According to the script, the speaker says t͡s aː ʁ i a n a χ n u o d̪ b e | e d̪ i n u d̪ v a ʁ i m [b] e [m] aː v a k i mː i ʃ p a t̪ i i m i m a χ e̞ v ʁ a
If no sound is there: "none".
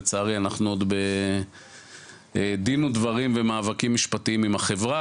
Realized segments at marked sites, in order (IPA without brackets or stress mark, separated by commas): v, m